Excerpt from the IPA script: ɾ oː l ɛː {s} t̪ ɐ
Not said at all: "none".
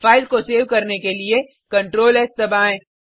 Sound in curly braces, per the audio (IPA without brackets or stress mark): s